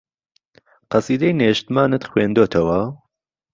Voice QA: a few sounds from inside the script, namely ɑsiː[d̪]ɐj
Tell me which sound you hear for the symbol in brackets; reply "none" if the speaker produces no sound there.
d̪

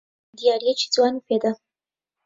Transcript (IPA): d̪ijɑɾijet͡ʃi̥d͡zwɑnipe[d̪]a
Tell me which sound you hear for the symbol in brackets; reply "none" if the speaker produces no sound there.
d̪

